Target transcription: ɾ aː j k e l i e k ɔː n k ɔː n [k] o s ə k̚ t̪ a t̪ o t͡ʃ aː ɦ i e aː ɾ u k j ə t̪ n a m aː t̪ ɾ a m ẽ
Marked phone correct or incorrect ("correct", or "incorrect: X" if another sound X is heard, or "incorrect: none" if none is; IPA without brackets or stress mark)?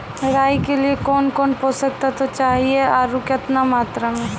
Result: incorrect: p